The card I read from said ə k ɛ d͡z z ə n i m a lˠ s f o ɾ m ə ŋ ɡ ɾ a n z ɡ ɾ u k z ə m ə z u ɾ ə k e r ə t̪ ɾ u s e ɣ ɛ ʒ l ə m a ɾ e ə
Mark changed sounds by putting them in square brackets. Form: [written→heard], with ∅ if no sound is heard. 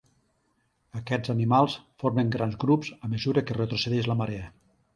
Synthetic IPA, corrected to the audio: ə k ɛ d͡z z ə n i m a lˠ s f o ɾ m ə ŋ ɡ ɾ a n z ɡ ɾ u [k→p] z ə m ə z u ɾ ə k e r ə t̪ ɾ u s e [ɣ→ð] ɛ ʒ l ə m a ɾ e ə

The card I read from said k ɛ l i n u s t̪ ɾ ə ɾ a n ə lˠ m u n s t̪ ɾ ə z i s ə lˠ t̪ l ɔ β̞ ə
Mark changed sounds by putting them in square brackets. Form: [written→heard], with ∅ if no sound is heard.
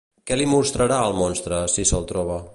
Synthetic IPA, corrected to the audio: k ɛ l i [n→m] u s t̪ ɾ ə ɾ a [n→∅] ə lˠ m [u→ɔ] n s t̪ ɾ ə [z→s] i s ə lˠ t̪ [l→ɾ] ɔ β̞ ə

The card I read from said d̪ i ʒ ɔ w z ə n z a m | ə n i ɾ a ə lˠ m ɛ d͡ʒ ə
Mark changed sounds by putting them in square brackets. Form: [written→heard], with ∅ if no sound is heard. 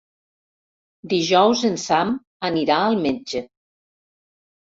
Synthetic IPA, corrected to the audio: d̪ i ʒ ɔ w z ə n [z→s] a m | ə n i ɾ a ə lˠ m [ɛ→e] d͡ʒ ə

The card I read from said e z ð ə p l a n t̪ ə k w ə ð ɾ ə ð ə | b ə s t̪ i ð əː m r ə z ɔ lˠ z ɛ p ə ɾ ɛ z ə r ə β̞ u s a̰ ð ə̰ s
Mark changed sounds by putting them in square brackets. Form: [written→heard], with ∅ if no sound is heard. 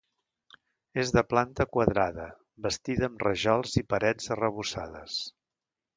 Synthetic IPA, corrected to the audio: e z ð ə p l a n t̪ ə k w ə ð ɾ [ə→a] ð ə | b ə s t̪ i ð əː m r ə [z→ʒ] ɔ lˠ z [ɛ→i] p ə ɾ ɛ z ə r ə β̞ u s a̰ ð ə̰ s

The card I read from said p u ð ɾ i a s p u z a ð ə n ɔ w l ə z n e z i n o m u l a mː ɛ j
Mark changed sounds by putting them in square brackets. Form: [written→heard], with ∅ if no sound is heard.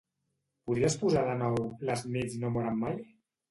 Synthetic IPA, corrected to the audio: p u ð ɾ i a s p u z a ð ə n ɔ w l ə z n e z i n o m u [l→ɾ] a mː [ɛ→a] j

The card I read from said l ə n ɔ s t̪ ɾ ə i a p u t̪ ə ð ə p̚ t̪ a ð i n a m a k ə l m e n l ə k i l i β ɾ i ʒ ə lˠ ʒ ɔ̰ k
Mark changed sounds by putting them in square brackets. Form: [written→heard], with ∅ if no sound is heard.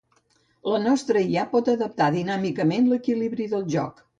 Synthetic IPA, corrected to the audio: l ə n ɔ s t̪ ɾ ə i a p [u→ɔ] t̪ ə ð ə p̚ t̪ a ð i n a m [a→i] k ə [l→∅] m e n l ə k i l i β ɾ i [ʒ→ð] ə lˠ ʒ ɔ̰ k

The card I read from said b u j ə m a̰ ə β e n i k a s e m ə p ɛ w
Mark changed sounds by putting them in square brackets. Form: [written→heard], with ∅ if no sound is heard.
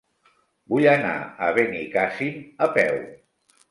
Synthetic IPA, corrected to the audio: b u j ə [m→n] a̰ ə β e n i k a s [e→i] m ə p ɛ w

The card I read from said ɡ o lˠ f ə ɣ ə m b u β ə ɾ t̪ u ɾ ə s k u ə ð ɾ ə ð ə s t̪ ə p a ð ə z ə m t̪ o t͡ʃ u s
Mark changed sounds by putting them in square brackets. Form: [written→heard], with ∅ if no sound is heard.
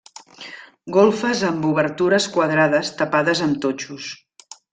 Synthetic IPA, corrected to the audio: ɡ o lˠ f ə [ɣ→z] ə m b u β ə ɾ t̪ u ɾ ə s k [u→w] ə ð ɾ [ə→a] ð ə s t̪ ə p a ð ə z ə m t̪ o t͡ʃ u s

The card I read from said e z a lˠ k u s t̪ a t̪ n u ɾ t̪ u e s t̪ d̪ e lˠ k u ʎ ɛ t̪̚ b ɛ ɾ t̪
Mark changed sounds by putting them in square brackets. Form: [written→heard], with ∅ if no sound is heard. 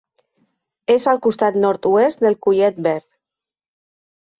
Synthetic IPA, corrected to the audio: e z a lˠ k u s t̪ a t̪ n [u→ɔ] ɾ t̪ u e s t̪ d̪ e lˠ k u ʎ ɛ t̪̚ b ɛ ɾ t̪

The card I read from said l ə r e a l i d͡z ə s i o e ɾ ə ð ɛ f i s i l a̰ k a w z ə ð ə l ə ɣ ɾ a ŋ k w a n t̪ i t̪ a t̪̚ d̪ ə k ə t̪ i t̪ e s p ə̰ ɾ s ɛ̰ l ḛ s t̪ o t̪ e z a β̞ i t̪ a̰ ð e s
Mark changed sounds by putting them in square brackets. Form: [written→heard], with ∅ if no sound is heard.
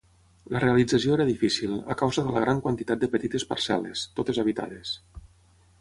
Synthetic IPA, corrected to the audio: l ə r e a l i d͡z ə s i o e ɾ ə ð [ɛ→i] f i s i l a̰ k a w z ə ð ə l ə ɣ ɾ a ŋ k w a n t̪ i t̪ a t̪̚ d̪ ə [k→p] ə t̪ i t̪ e s p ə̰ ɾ s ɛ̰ l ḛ s t̪ o t̪ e z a β̞ i t̪ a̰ ð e s

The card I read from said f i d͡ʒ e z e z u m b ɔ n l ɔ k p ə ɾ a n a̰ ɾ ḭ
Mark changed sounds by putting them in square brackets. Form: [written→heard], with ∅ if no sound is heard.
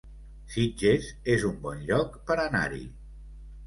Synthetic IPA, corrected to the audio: [f→s] i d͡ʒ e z e z u m b ɔ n [l→ʎ] ɔ k p ə ɾ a n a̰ ɾ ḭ

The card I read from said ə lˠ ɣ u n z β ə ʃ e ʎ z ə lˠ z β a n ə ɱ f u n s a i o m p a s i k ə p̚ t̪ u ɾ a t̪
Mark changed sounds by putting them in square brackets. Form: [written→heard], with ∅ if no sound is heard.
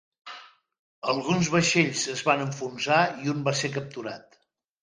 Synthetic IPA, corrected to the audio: ə lˠ ɣ u n z β ə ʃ e ʎ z ə [lˠ→∅] z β a n ə ɱ f u n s a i [o→u] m [p→b] a s [i→e] k ə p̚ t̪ u ɾ a t̪

